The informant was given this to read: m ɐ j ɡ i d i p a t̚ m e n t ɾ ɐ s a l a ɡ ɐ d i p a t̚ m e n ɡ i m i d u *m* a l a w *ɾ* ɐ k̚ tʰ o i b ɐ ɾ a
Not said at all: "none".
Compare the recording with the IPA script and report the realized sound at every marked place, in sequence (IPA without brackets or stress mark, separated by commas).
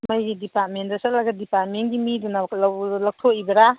n, l